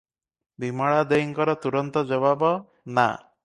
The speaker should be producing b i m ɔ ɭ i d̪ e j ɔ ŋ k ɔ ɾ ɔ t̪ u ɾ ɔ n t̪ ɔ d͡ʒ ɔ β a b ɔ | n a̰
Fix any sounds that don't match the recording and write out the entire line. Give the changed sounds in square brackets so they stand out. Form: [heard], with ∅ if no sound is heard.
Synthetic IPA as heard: b i m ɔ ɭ [a] d̪ e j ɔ ŋ k ɔ ɾ ɔ t̪ u ɾ ɔ n t̪ ɔ d͡ʒ ɔ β a b ɔ | n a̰

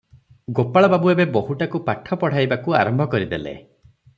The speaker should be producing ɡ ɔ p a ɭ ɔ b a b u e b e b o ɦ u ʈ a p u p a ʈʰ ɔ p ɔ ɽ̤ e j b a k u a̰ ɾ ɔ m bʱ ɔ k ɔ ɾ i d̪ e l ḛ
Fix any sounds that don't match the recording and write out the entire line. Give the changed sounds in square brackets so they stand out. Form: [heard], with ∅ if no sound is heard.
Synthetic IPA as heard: ɡ [o] p a ɭ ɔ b a b u e b e b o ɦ u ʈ a [k] u p a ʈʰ ɔ p ɔ ɽ̤ [a] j b a k u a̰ ɾ ɔ m bʱ ɔ k ɔ ɾ i d̪ e l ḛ

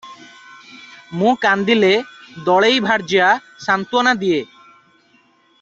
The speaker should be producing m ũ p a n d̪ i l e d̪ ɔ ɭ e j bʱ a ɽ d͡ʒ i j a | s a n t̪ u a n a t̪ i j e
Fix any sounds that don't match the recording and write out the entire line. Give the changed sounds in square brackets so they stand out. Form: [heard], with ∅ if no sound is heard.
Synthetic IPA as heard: m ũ [k] a n d̪ i l e d̪ ɔ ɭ e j bʱ a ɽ d͡ʒ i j a | s a n t̪ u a n a [d̪] i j e

